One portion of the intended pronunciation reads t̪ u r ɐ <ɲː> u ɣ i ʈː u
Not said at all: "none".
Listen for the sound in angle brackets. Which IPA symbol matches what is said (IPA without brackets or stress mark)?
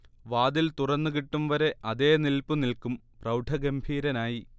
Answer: nː